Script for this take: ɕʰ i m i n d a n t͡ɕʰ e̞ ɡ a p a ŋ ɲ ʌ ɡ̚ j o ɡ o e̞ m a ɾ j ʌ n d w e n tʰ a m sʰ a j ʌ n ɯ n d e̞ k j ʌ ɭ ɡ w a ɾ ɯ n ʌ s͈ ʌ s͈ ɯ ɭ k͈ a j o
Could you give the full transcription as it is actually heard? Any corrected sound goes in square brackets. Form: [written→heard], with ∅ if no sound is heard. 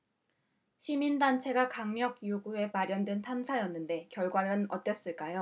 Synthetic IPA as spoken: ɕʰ i m i n d a n t͡ɕʰ e̞ ɡ a [p→k] a ŋ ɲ ʌ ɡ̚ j o ɡ [o→u] e̞ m a ɾ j ʌ n d w e n tʰ a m sʰ a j ʌ [n→nː] ɯ n d e̞ k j ʌ ɭ ɡ w a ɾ ɯ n ʌ [s͈→t͈] ʌ s͈ ɯ ɭ k͈ a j o